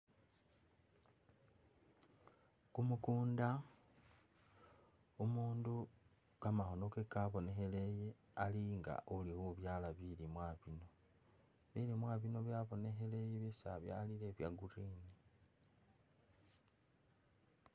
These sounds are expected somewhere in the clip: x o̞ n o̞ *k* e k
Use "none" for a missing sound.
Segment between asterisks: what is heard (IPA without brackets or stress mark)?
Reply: k